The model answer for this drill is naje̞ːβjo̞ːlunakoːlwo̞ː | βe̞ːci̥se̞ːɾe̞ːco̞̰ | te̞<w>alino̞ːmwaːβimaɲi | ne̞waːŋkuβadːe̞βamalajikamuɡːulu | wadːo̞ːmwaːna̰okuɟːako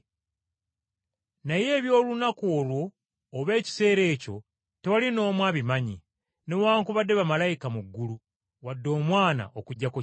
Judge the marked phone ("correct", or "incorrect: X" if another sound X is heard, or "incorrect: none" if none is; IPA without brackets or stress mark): correct